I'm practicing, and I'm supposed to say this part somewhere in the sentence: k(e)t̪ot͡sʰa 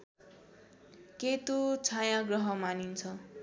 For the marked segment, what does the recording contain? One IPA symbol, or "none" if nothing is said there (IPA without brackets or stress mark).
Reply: e